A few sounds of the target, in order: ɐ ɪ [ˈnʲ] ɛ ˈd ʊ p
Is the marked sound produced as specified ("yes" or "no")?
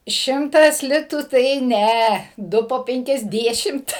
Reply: yes